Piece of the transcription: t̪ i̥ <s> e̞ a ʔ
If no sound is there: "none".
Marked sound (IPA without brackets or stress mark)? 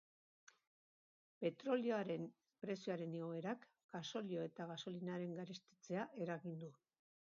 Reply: t͡s